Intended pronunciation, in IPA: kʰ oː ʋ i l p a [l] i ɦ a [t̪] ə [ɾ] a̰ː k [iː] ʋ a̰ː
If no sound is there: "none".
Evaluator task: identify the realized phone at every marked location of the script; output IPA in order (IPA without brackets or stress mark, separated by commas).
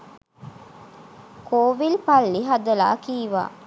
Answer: lː, d̪, l, iː